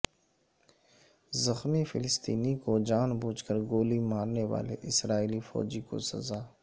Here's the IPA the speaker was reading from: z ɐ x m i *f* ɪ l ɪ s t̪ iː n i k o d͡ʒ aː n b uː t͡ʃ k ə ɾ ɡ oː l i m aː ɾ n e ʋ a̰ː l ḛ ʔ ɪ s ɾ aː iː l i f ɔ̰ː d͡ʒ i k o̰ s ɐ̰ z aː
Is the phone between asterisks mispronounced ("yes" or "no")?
no